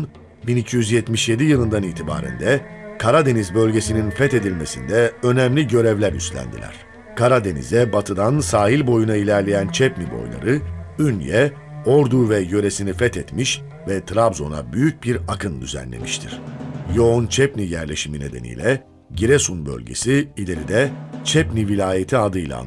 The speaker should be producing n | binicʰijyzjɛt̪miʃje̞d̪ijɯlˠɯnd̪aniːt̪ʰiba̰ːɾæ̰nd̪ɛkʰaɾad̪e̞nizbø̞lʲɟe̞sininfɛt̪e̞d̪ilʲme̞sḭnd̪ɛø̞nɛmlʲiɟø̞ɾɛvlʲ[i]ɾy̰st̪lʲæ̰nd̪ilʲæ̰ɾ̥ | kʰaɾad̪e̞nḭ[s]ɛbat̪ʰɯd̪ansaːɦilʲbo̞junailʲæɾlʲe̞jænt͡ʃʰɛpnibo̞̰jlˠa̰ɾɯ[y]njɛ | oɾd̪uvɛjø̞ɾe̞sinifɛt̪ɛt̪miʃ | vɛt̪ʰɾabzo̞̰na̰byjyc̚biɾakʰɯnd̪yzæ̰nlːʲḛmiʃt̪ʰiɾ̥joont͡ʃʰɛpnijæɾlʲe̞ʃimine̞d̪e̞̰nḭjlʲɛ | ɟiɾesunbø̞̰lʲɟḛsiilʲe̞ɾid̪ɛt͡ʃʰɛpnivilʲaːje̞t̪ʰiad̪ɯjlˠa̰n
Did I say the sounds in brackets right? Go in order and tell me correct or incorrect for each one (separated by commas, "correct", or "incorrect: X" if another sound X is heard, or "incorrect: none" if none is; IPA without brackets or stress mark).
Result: incorrect: æ, incorrect: z, correct